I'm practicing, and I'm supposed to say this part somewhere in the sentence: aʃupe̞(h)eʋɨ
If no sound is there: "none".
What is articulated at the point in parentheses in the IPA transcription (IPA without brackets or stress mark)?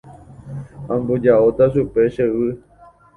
ʃ